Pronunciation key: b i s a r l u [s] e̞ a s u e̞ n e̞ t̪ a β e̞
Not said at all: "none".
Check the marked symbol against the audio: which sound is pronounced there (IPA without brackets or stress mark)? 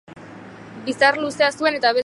s